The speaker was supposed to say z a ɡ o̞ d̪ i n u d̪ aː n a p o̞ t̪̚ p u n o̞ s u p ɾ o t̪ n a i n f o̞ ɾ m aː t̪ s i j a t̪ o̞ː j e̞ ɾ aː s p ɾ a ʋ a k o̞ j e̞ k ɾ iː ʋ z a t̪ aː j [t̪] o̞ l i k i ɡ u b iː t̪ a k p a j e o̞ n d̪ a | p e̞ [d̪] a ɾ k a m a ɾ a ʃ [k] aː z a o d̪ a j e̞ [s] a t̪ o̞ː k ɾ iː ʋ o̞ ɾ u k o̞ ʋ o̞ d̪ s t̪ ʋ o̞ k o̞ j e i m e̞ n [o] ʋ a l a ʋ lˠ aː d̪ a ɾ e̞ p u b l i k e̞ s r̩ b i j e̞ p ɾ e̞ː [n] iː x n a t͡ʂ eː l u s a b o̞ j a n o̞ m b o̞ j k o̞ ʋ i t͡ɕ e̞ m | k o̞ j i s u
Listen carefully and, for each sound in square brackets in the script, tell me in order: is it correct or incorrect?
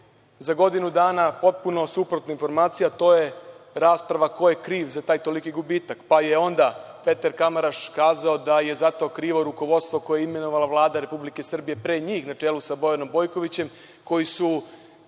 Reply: correct, incorrect: t̪, correct, incorrect: z, correct, incorrect: ɲ

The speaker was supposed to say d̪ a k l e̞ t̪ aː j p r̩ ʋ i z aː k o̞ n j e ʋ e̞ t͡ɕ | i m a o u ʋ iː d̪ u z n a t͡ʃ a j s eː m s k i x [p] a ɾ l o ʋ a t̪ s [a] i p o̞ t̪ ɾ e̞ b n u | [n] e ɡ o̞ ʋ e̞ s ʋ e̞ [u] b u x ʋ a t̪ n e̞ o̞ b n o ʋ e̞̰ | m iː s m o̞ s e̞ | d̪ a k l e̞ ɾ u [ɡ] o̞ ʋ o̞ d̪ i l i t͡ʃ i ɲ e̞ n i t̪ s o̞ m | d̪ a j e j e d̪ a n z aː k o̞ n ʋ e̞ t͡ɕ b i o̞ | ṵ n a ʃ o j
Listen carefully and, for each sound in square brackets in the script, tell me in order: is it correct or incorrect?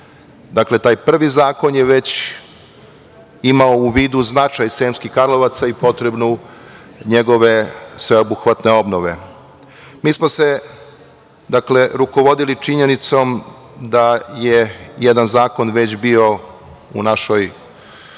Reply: incorrect: k, correct, incorrect: ɲ, incorrect: o, incorrect: k

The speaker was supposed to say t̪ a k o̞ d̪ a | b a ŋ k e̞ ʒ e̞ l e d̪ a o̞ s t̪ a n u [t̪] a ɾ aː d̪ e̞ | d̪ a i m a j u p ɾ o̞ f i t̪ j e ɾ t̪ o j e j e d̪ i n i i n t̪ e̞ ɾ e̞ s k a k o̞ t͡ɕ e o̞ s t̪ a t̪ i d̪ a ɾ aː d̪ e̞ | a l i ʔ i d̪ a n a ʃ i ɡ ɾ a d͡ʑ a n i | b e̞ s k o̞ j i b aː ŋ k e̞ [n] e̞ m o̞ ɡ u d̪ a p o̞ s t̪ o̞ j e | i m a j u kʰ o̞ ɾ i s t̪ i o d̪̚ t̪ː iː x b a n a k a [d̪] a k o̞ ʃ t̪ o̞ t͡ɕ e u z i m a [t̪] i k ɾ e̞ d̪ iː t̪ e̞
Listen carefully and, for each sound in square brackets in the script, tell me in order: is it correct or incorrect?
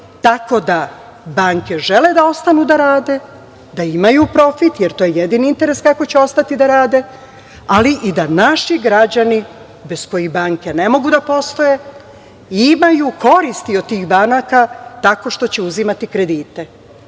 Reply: incorrect: d̪, correct, incorrect: t̪, correct

